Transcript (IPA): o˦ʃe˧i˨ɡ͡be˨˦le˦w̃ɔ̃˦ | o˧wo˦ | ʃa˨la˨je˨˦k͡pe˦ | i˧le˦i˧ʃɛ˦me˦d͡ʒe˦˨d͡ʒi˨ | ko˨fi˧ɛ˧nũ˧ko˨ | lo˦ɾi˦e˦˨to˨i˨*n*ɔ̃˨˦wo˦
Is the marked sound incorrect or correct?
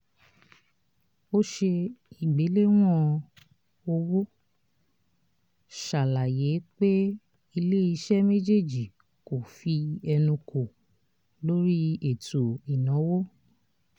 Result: correct